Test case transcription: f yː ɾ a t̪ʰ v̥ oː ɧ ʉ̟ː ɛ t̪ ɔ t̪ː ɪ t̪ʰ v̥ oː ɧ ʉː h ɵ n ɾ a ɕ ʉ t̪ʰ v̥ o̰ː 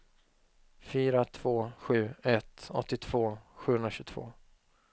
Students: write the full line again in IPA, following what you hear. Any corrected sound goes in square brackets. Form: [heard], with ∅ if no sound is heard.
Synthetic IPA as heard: f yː ɾ a t̪ʰ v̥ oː ɧ ʉ̟ː ɛ t̪ ɔ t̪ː ɪ t̪ʰ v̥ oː ɧ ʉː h ɵ n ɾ a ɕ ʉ t̪ʰ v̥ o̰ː